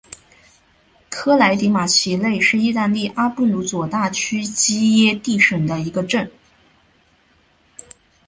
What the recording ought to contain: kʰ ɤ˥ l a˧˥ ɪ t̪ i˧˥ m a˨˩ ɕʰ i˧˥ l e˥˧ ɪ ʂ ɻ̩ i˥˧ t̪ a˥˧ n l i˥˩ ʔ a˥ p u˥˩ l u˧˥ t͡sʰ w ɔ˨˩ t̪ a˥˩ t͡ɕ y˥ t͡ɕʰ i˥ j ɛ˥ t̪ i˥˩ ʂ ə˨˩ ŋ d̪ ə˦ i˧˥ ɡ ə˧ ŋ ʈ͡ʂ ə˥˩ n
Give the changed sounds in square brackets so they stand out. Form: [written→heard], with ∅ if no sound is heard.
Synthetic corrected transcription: kʰ ɤ˥ l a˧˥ ɪ t̪ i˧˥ m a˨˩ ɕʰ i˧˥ l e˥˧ ɪ ʂ ɻ̩ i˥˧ t̪ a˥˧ n l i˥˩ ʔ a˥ p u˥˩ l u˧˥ [t͡sʰ→t͡s] w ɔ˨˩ t̪ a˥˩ [t͡ɕ→t͡ɕʰ] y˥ [t͡ɕʰ→t͡ɕ] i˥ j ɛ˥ t̪ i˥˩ ʂ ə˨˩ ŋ d̪ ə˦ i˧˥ ɡ ə˧ [ŋ→∅] ʈ͡ʂ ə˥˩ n

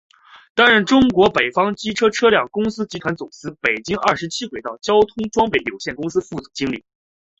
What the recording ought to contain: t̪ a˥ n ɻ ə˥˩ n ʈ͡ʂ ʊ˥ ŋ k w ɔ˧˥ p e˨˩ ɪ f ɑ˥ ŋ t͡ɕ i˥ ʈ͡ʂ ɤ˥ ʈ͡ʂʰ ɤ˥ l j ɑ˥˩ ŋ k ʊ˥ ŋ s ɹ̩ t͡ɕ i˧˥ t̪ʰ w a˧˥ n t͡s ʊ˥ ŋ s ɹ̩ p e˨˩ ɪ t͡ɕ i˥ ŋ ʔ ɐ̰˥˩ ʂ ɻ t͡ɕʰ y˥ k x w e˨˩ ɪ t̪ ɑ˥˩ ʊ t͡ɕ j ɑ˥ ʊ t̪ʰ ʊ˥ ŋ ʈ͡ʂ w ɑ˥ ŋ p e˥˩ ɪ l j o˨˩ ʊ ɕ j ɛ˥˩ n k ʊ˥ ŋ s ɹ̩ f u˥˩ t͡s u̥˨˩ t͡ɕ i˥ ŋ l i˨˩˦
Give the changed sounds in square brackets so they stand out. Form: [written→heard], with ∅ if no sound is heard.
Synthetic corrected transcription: t̪ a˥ n ɻ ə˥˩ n ʈ͡ʂ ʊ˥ ŋ k w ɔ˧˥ p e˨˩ ɪ f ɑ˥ ŋ t͡ɕ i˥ [ʈ͡ʂ→ʈ͡ʂʰ] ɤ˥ ʈ͡ʂʰ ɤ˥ l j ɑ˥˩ ŋ k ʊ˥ ŋ s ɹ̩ t͡ɕ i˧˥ t̪ʰ w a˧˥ n t͡s [ʊ˥→ʊ˨˩] ŋ s ɹ̩ p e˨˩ ɪ t͡ɕ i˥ ŋ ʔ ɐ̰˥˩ ʂ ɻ t͡ɕʰ [y˥→i˥] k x w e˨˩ ɪ t̪ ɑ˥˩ ʊ t͡ɕ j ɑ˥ ʊ t̪ʰ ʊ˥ ŋ ʈ͡ʂ w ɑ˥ ŋ p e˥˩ ɪ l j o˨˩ ʊ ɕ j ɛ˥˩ n k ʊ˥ ŋ s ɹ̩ f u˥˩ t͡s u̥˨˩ t͡ɕ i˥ ŋ l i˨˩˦

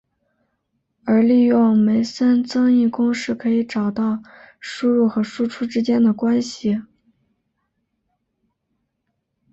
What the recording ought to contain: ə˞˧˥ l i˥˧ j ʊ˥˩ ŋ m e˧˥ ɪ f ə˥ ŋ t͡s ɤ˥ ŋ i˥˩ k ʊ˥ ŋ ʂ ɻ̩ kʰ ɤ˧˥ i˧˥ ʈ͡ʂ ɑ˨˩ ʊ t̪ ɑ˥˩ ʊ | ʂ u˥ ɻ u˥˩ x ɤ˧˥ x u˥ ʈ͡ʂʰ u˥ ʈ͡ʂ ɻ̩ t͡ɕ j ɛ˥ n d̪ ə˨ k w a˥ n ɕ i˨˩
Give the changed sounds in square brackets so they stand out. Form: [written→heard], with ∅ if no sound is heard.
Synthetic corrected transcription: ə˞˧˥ l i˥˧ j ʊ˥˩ ŋ m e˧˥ ɪ [f→s] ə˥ [ŋ→n] t͡s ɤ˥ ŋ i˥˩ k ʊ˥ ŋ ʂ ɻ̩ kʰ ɤ˧˥ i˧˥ ʈ͡ʂ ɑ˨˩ ʊ t̪ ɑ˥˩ ʊ | ʂ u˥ ɻ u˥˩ x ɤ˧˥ [x→ʂ] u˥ ʈ͡ʂʰ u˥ ʈ͡ʂ ɻ̩ t͡ɕ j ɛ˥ n d̪ ə˨ k w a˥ n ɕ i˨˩

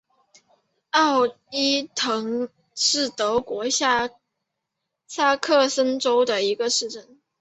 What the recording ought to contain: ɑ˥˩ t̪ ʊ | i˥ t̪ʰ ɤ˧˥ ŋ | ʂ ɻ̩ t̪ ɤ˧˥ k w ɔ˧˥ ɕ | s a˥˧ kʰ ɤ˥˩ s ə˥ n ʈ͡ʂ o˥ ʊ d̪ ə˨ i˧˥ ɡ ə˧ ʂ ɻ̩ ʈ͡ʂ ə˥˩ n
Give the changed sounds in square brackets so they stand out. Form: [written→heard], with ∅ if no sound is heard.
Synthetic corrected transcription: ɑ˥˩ [t̪→∅] ʊ | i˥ t̪ʰ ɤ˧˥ ŋ | ʂ ɻ̩ t̪ ɤ˧˥ k w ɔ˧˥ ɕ | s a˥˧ kʰ ɤ˥˩ s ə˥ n ʈ͡ʂ o˥ ʊ d̪ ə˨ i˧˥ ɡ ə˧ ʂ ɻ̩ ʈ͡ʂ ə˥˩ n

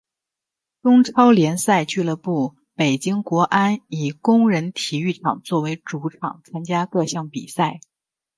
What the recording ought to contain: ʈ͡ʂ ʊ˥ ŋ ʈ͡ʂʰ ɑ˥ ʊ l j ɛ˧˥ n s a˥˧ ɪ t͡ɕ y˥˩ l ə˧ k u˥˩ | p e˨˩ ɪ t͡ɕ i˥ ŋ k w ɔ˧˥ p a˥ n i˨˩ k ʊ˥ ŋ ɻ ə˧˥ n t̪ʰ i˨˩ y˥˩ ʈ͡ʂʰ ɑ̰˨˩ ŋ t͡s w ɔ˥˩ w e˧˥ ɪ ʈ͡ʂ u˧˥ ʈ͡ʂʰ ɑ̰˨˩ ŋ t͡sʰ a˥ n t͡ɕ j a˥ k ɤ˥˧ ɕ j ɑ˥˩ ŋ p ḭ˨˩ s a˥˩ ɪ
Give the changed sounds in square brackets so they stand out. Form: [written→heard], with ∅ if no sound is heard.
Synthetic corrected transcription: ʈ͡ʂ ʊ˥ ŋ ʈ͡ʂʰ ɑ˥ ʊ l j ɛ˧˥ n s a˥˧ ɪ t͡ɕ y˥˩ l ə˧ [k→p] u˥˩ | p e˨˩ ɪ t͡ɕ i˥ ŋ k w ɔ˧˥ [p→ʔ] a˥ n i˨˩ k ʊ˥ ŋ ɻ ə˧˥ n t̪ʰ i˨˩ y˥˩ ʈ͡ʂʰ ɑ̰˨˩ ŋ t͡s w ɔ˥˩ w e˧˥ ɪ ʈ͡ʂ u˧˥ ʈ͡ʂʰ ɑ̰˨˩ ŋ t͡sʰ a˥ n t͡ɕ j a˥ k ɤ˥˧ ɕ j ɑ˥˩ ŋ p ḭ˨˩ s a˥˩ ɪ

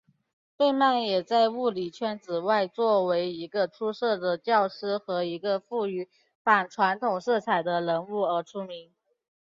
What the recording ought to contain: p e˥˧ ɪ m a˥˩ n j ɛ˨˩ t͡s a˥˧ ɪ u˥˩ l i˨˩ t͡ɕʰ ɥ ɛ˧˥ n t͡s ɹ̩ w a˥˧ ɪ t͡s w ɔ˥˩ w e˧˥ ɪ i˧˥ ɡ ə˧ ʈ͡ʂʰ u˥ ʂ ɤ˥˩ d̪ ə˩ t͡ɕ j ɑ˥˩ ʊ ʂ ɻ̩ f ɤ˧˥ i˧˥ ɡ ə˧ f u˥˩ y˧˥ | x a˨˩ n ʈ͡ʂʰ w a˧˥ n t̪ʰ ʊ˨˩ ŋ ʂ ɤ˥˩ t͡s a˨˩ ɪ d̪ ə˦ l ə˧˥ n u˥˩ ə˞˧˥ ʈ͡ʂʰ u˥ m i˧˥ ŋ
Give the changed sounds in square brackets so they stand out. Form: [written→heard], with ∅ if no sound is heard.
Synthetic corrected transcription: p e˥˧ ɪ m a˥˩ n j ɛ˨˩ t͡s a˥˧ ɪ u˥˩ l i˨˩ t͡ɕʰ ɥ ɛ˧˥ n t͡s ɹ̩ w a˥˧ ɪ t͡s w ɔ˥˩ w e˧˥ ɪ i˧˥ ɡ ə˧ ʈ͡ʂʰ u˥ ʂ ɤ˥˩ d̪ ə˩ t͡ɕ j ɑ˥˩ ʊ ʂ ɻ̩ [f→x] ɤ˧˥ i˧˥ ɡ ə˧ f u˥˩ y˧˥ | [x→f] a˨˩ n ʈ͡ʂʰ w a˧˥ n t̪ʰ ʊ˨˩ ŋ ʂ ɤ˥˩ [t͡s→t͡sʰ] a˨˩ ɪ d̪ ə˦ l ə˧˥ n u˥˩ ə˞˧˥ ʈ͡ʂʰ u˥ m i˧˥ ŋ

